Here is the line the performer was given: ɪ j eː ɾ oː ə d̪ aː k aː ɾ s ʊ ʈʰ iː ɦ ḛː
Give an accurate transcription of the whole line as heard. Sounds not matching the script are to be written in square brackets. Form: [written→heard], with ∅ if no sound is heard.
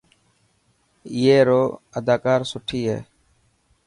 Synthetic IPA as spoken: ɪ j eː ɾ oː ə d̪ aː k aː ɾ s ʊ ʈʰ iː ɦ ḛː